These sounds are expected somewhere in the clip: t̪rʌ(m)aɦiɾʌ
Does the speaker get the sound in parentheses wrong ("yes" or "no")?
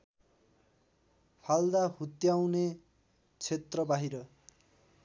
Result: yes